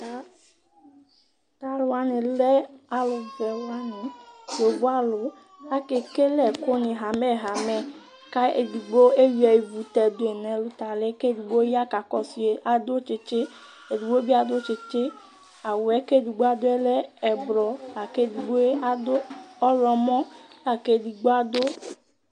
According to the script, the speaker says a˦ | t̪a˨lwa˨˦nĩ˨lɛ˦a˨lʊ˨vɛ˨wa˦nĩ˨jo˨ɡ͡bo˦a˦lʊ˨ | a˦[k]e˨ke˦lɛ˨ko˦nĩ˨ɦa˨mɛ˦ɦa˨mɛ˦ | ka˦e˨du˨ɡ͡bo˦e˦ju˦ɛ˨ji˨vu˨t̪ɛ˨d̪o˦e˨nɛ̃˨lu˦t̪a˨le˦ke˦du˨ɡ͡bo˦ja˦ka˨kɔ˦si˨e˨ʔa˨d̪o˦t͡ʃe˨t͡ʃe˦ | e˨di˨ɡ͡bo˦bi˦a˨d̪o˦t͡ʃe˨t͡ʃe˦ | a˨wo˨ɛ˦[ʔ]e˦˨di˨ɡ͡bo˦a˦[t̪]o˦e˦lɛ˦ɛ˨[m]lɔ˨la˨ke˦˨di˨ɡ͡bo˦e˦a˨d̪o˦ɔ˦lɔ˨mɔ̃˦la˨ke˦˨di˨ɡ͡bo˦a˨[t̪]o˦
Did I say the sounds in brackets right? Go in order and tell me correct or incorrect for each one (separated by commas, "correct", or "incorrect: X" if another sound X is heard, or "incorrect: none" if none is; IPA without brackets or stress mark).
correct, incorrect: k, incorrect: d̪, incorrect: b, incorrect: d̪